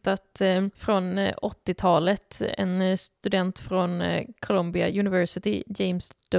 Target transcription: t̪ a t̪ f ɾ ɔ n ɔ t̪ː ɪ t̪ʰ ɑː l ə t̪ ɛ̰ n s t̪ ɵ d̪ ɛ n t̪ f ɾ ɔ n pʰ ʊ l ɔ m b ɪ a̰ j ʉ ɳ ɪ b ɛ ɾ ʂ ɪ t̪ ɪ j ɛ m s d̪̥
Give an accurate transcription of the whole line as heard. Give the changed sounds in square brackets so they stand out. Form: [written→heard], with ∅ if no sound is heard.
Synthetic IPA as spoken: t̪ a t̪ f ɾ ɔ n ɔ t̪ː ɪ t̪ʰ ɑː l ə t̪ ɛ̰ n s t̪ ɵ d̪ ɛ n t̪ f ɾ ɔ n [pʰ→kʰ] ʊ l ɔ m b ɪ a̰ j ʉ [ɳ→n] ɪ [b→v] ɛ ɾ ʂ ɪ t̪ ɪ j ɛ m s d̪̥